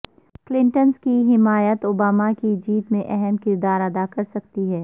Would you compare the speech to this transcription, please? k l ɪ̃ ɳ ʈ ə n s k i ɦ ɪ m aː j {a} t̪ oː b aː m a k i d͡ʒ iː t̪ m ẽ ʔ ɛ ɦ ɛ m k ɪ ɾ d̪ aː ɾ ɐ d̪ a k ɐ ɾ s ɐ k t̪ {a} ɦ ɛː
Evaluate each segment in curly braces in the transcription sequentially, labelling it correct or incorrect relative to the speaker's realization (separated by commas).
incorrect, incorrect